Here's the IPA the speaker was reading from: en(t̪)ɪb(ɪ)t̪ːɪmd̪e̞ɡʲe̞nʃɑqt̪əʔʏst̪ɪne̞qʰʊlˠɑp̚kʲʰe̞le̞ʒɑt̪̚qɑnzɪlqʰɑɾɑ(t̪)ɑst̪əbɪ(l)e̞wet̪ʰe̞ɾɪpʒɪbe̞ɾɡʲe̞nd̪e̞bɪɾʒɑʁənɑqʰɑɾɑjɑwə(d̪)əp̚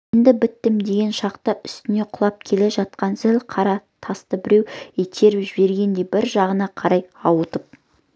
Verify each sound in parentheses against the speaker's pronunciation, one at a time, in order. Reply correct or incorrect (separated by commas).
incorrect, correct, incorrect, incorrect, incorrect